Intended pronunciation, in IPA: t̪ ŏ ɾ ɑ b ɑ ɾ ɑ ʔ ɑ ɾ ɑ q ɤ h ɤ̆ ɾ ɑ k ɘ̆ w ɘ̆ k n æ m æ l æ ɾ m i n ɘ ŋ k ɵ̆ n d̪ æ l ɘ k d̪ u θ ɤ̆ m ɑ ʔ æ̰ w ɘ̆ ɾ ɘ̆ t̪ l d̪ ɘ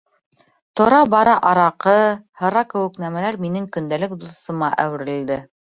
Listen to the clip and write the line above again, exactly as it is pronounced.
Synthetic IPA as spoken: t̪ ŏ ɾ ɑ b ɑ ɾ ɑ ʔ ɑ ɾ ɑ q ɤ h ɤ̆ ɾ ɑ k ɘ̆ w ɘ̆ k n æ m æ l æ ɾ m i n ɘ ŋ k ɵ̆ n d̪ æ l ɘ k d̪ u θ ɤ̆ m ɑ ʔ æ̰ w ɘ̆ ɾ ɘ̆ l d̪ ɘ